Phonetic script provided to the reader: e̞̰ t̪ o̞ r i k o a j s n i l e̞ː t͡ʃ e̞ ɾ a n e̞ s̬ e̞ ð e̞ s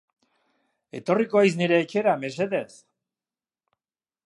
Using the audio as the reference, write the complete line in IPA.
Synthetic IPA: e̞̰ t̪ o̞ r i k o a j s n i ɾ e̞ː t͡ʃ e̞ ɾ a m e̞ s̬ e̞ ð e̞ s